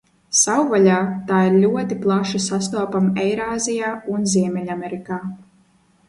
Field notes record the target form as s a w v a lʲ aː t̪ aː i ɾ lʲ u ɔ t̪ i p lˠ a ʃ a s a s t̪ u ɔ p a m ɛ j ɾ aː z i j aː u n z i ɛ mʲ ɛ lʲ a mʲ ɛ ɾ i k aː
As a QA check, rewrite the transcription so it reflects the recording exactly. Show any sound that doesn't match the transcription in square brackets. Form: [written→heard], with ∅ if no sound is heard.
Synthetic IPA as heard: s a w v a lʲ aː t̪ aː i ɾ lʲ u ɔ t̪ i p lˠ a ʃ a s a s t̪ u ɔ p a m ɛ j ɾ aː z i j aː u n z i ɛ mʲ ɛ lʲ a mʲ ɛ ɾ i k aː